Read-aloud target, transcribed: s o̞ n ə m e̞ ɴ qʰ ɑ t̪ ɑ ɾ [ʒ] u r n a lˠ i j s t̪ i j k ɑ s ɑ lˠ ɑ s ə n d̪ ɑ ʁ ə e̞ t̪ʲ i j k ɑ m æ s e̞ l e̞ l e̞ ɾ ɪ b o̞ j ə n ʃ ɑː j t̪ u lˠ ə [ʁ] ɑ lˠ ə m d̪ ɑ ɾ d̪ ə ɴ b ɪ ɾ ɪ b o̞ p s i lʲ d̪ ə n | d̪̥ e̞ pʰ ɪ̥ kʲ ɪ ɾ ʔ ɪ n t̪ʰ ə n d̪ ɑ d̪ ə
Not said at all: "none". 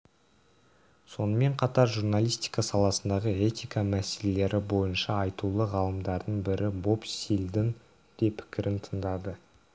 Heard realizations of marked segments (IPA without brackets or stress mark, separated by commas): ʒ, ʁ